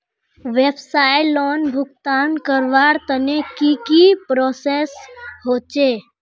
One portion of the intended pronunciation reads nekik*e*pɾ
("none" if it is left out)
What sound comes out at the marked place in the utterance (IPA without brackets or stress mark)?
i